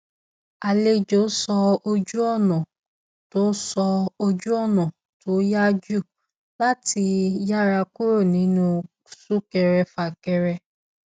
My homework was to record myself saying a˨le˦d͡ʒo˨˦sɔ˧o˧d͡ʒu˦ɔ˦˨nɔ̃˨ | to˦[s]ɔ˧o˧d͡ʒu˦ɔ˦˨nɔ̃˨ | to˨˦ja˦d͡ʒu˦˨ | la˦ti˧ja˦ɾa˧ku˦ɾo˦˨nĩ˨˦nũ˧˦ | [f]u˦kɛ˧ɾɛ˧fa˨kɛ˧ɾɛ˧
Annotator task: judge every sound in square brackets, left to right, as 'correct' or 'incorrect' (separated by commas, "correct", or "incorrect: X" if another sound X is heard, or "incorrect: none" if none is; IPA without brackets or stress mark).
correct, incorrect: s